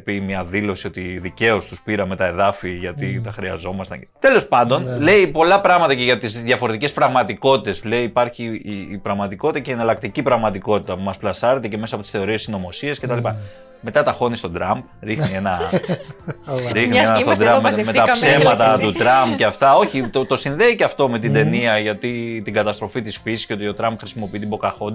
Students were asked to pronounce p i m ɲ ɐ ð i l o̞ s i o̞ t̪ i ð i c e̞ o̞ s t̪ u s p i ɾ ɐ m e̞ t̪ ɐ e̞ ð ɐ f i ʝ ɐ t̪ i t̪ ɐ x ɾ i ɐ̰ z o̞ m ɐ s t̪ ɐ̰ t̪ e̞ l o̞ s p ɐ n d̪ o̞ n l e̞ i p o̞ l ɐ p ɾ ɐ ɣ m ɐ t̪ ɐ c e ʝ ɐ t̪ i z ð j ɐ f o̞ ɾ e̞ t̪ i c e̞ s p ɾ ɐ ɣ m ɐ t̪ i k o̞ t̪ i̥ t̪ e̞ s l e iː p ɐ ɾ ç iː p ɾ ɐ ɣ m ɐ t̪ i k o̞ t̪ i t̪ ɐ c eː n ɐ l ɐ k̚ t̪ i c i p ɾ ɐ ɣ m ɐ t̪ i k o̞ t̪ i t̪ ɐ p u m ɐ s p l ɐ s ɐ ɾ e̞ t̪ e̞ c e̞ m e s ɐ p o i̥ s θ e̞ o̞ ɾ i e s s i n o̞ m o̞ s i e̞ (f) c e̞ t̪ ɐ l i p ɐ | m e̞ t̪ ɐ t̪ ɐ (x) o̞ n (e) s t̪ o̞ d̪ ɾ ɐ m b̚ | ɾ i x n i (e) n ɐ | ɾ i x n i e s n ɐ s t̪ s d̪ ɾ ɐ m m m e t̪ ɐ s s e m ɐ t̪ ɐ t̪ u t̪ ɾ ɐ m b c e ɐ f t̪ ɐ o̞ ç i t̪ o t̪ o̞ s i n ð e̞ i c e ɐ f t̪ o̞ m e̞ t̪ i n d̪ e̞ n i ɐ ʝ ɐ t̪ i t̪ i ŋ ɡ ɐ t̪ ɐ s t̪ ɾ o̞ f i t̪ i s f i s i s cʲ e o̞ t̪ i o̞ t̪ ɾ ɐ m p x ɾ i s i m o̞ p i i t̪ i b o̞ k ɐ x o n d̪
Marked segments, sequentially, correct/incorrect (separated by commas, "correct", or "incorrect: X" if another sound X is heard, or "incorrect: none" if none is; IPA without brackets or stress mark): incorrect: s, correct, incorrect: i, correct